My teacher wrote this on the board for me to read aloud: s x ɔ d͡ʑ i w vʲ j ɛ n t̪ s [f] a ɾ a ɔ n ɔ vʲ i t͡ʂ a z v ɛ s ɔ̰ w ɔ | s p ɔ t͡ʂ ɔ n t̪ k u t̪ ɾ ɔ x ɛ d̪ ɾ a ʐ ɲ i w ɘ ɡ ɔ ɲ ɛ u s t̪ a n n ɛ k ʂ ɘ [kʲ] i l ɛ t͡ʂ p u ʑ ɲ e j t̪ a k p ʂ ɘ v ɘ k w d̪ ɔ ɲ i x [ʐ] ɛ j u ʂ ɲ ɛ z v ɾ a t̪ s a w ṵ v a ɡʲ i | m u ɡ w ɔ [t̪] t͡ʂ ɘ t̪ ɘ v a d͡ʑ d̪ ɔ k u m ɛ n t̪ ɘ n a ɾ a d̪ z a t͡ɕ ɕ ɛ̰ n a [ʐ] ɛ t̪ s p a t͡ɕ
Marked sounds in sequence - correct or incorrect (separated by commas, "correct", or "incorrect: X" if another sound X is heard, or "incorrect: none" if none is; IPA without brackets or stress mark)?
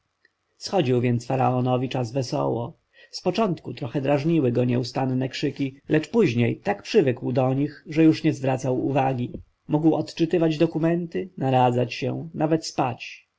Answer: correct, correct, correct, correct, incorrect: v